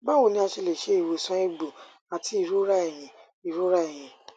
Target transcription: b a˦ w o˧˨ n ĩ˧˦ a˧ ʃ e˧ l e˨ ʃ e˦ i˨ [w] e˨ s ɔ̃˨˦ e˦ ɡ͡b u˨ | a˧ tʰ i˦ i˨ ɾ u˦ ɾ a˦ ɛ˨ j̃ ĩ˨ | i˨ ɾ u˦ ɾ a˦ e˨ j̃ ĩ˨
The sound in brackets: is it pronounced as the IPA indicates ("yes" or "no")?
yes